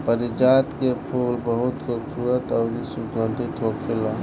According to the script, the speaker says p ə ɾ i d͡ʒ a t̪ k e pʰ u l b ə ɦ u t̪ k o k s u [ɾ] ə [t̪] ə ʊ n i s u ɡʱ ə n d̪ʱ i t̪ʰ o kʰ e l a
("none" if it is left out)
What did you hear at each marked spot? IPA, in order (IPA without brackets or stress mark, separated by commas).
ɾ, t̪